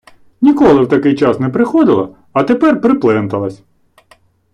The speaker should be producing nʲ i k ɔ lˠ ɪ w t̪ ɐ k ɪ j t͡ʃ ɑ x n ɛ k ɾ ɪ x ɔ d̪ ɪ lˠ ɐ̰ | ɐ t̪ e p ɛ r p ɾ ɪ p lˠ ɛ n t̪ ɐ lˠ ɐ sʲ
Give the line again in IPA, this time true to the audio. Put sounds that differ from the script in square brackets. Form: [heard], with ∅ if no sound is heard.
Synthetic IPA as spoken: nʲ i k ɔ lˠ ɪ w t̪ ɐ k ɪ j t͡ʃ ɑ [s] n ɛ [p] ɾ ɪ x ɔ d̪ ɪ lˠ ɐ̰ | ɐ t̪ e p ɛ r p ɾ ɪ p lˠ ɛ n t̪ ɐ lˠ ɐ sʲ